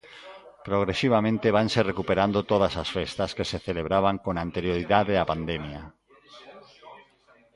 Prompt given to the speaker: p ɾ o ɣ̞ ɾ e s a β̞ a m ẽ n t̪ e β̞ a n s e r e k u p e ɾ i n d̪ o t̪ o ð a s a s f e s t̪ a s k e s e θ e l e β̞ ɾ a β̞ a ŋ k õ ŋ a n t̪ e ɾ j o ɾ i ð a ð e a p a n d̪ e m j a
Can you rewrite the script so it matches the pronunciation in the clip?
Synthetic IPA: p ɾ o ɣ̞ ɾ e s i β̞ a m ẽ n t̪ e β̞ a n s e r e k u p e ɾ a n d̪ o t̪ o ð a s a s f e s t̪ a s k e s e θ e l e β̞ ɾ a β̞ a ŋ k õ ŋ a n t̪ e ɾ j o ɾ i ð a ð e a p a n d̪ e m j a